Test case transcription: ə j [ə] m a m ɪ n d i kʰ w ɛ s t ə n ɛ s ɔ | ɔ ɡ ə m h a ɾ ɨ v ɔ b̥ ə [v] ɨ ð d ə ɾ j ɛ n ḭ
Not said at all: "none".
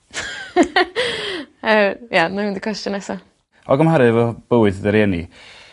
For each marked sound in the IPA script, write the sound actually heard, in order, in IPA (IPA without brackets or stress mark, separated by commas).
a, w